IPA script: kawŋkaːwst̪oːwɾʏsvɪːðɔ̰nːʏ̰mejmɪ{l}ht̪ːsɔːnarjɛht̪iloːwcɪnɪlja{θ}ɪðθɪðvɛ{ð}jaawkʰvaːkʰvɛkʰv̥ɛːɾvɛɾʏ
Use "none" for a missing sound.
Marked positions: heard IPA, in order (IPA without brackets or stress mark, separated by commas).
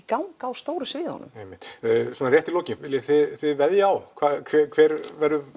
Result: none, θ, ð